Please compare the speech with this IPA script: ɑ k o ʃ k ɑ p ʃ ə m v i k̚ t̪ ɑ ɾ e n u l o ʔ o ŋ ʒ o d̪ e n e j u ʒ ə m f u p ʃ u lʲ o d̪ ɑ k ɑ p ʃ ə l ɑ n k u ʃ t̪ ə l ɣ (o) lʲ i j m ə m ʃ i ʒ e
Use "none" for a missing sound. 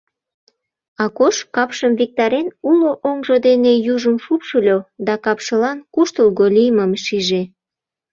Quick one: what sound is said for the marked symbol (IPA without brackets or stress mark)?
o